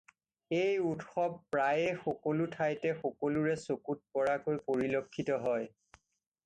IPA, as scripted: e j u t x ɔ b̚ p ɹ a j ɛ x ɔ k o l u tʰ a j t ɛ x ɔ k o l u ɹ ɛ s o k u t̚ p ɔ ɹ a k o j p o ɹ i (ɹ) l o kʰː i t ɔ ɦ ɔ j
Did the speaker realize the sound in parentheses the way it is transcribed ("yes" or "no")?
no